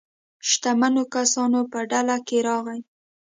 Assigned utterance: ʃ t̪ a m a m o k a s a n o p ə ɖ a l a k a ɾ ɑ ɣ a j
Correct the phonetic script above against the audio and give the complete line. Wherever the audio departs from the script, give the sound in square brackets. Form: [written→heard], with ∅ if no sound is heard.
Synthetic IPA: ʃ t̪ a m a [m→n] o k a s [a→ɑ] n o p ə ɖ a l a k [a→e] ɾ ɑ ɣ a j

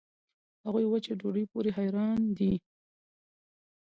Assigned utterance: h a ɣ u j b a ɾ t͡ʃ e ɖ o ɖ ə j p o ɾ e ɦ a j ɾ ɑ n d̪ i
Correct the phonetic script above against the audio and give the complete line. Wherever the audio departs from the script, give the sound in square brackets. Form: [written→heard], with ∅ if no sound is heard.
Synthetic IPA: h a ɣ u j [b→w] a [ɾ→∅] t͡ʃ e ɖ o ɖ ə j p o ɾ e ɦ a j ɾ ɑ n d̪ i

